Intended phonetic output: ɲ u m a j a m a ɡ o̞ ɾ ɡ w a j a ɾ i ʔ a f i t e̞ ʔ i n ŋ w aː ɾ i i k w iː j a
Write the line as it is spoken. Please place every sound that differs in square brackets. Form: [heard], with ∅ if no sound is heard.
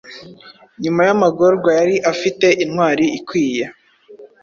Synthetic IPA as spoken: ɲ u m a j a m a ɡ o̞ ɾ ɡ w a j a ɾ i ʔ a f i t e̞ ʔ i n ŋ w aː ɾ i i k w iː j a